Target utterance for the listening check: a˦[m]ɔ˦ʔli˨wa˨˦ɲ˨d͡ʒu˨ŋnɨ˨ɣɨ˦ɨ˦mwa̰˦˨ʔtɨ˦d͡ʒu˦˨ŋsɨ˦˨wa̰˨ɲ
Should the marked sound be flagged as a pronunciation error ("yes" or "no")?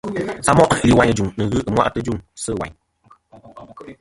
no